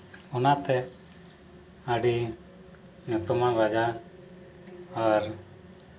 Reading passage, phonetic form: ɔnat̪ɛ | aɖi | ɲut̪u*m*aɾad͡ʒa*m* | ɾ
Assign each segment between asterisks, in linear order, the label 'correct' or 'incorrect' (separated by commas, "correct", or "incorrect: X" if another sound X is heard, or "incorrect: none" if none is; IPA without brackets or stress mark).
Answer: correct, incorrect: none